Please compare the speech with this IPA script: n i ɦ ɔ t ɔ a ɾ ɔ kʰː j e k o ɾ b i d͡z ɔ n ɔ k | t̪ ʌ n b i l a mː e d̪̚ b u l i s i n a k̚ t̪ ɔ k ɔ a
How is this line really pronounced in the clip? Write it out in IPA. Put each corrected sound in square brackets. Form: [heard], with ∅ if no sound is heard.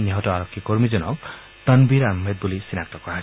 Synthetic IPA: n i ɦ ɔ t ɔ a ɾ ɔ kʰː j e k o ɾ [m] i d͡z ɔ n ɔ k | t̪ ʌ n b i [ɾ] a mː e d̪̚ b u l i s i n a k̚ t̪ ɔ k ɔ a